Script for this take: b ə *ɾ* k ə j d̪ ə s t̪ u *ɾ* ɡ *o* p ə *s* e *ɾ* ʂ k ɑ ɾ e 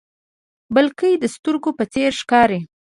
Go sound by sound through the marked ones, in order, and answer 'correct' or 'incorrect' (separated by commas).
incorrect, correct, correct, incorrect, correct